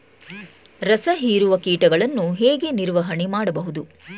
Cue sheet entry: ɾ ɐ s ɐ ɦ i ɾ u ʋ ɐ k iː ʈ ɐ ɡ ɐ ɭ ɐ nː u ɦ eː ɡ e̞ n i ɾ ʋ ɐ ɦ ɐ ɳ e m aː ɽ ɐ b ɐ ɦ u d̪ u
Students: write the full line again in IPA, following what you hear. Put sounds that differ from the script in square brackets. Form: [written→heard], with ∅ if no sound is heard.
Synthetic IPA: ɾ ɐ s ɐ ɦ [i→iː] ɾ u ʋ ɐ k iː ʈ ɐ ɡ ɐ ɭ ɐ nː u ɦ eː ɡ e̞ n i ɾ ʋ ɐ ɦ ɐ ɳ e m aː ɽ ɐ b ɐ ɦ u d̪ u

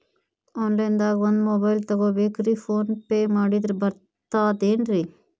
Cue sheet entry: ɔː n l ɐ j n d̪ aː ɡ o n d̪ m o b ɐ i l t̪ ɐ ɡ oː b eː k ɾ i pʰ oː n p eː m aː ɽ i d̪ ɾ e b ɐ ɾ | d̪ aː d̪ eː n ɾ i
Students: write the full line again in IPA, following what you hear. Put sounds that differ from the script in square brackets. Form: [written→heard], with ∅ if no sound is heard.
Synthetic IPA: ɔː n l ɐ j n d̪ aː ɡ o n d̪ m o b ɐ [i→j] l t̪ ɐ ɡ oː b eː k ɾ i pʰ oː n p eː m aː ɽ i d̪ ɾ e b ɐ ɾ | [d̪→t̪] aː d̪ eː n ɾ i

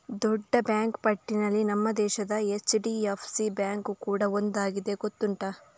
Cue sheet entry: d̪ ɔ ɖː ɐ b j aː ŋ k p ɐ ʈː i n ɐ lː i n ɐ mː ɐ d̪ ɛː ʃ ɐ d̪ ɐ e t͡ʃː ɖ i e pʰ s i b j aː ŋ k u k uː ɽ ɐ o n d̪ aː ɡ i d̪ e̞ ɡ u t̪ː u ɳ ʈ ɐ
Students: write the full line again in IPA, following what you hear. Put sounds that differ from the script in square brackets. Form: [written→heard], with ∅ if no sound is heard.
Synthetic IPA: d̪ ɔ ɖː ɐ b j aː ŋ k p ɐ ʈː i n ɐ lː i n ɐ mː ɐ d̪ ɛː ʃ ɐ d̪ ɐ e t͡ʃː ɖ i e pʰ s i b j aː ŋ k u k uː ɽ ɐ o n d̪ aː ɡ i d̪ e̞ ɡ [u→o] t̪ː u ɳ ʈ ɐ

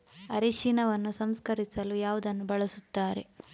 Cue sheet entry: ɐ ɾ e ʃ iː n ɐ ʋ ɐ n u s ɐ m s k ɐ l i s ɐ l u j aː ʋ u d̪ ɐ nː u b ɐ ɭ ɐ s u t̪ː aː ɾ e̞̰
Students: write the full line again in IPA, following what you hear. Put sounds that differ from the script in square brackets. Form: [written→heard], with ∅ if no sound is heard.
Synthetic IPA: ɐ ɾ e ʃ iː n ɐ ʋ ɐ [n→nː] u s ɐ m s k ɐ [l→ɾ] i s ɐ l u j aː ʋ u d̪ ɐ nː u b ɐ ɭ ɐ s u t̪ː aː ɾ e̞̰

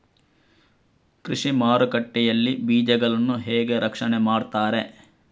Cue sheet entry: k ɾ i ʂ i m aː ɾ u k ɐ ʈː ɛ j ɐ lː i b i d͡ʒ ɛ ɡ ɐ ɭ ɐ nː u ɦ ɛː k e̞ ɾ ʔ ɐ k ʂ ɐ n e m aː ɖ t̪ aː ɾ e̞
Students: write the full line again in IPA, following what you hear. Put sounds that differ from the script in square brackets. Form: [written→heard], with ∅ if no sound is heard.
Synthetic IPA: k ɾ i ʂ i m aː ɾ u k ɐ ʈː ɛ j ɐ lː i b [i→iː] d͡ʒ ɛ ɡ ɐ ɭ ɐ nː u ɦ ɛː [k→ɡ] e̞ ɾ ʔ ɐ k ʂ ɐ n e m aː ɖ t̪ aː ɾ e̞

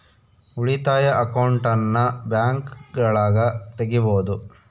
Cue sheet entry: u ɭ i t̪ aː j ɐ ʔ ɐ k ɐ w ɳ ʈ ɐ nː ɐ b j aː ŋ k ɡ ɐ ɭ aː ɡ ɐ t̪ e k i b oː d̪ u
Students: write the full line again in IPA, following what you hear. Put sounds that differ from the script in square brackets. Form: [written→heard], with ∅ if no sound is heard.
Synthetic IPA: u ɭ i t̪ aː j ɐ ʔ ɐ k ɐ w ɳ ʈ ɐ nː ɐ b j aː ŋ k ɡ ɐ ɭ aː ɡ ɐ t̪ e [k→ɡ] i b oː d̪ u

